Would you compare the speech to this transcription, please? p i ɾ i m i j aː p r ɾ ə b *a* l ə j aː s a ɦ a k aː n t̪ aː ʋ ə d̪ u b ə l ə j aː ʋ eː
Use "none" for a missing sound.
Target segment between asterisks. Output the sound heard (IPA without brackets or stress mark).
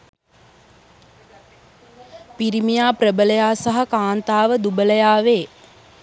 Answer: ə